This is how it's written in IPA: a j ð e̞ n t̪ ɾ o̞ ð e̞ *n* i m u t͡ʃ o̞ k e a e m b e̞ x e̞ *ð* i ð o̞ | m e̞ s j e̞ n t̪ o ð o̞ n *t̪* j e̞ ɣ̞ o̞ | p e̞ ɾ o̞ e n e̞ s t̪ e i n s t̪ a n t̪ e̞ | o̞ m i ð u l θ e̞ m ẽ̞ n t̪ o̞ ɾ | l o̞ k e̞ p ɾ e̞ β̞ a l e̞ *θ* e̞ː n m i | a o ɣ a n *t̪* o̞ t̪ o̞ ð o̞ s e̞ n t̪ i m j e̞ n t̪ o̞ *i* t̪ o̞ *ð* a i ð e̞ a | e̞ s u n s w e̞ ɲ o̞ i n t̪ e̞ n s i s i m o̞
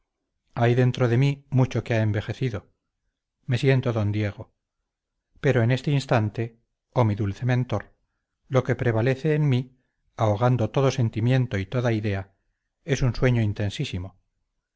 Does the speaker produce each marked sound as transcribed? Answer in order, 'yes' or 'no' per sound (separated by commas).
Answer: no, no, no, yes, no, yes, yes